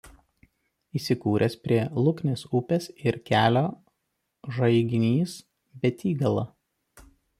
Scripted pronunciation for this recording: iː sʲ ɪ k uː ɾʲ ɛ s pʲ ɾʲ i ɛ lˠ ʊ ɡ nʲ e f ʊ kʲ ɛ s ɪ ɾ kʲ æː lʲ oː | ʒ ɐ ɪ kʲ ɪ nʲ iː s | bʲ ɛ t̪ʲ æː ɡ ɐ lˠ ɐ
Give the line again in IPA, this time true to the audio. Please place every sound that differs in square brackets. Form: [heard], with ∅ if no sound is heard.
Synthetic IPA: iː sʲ ɪ k uː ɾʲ ɛ s pʲ ɾʲ i ɛ lˠ ʊ [k] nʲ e [s] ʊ [pʲ] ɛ s ɪ ɾ kʲ æː lʲ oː | ʒ ɐ ɪ [ɡʲ] ɪ nʲ iː s | bʲ ɛ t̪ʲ [iː] ɡ ɐ lˠ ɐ